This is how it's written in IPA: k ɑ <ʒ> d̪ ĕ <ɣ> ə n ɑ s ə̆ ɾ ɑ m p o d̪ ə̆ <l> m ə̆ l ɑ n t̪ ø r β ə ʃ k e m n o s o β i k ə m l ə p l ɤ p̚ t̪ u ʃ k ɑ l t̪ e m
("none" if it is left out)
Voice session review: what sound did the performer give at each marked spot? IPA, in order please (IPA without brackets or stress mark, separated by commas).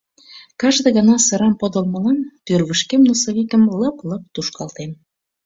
ʒ, ɣ, l